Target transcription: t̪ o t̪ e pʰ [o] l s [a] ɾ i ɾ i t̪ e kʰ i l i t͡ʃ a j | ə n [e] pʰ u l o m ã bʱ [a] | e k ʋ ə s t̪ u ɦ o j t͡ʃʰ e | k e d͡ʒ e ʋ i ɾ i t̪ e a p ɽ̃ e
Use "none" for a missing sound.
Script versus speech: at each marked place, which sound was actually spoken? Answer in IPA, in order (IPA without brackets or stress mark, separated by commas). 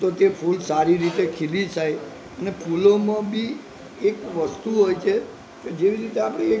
u, a, e, i